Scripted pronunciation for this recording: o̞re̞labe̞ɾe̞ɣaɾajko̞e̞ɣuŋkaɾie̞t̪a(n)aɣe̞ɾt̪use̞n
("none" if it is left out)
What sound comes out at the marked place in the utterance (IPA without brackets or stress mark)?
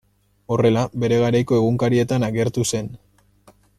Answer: n